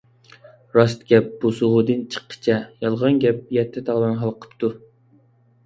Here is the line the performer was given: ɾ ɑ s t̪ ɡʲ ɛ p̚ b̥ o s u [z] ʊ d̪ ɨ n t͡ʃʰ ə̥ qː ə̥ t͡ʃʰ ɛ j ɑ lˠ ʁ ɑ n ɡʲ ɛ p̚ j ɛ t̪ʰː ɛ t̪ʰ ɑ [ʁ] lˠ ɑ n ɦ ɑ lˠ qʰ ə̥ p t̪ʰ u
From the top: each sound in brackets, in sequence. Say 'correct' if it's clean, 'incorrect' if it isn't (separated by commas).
incorrect, correct